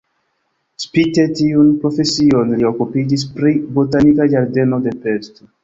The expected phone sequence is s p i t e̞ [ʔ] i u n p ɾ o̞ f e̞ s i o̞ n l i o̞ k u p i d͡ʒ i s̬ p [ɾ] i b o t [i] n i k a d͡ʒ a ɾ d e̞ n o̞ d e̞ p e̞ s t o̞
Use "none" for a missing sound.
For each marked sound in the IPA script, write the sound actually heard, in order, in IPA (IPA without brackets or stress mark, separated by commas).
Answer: t, ɾ, a